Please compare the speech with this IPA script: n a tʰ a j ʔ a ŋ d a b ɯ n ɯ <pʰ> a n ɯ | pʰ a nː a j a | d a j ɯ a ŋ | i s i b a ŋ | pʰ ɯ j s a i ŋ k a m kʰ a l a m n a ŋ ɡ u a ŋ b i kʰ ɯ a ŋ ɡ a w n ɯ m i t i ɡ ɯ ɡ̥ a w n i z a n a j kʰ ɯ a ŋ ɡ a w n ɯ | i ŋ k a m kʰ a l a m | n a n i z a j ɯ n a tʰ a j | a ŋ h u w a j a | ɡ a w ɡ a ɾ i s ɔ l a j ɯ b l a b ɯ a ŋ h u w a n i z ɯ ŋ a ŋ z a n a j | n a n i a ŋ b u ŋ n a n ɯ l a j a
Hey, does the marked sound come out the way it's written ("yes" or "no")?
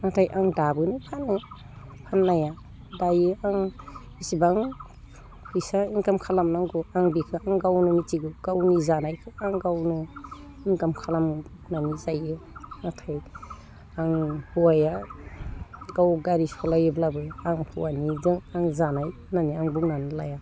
yes